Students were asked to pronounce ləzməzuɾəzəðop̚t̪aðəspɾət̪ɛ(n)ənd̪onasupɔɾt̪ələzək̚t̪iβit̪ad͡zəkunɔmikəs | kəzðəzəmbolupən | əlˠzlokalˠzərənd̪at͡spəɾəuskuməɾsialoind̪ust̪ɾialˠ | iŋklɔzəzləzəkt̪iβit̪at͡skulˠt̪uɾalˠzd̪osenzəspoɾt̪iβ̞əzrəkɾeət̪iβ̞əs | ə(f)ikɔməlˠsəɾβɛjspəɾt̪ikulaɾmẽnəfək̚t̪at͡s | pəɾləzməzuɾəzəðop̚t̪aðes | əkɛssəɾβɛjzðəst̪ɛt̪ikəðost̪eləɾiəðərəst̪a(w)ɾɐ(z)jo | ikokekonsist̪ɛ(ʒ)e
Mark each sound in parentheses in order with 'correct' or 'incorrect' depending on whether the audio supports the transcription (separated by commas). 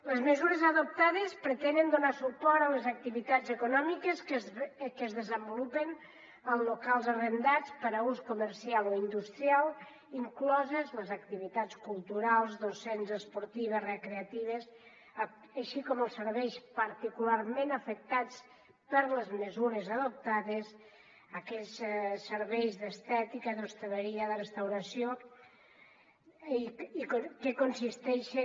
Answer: correct, incorrect, correct, incorrect, incorrect